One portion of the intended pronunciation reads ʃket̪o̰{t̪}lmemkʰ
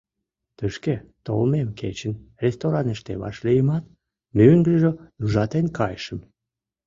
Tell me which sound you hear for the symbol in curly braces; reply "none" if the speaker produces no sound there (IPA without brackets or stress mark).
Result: none